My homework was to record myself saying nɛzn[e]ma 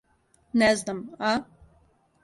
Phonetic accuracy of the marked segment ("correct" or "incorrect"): incorrect